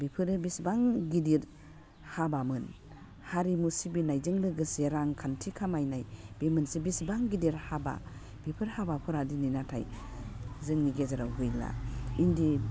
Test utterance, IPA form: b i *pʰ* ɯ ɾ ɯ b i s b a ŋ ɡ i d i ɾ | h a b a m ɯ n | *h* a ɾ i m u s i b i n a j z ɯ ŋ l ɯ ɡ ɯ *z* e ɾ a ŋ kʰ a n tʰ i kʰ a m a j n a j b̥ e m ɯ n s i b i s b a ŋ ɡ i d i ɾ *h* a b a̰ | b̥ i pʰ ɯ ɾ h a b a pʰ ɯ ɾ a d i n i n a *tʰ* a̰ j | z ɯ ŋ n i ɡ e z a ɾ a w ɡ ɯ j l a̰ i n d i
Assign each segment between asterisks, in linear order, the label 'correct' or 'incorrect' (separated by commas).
correct, correct, incorrect, correct, correct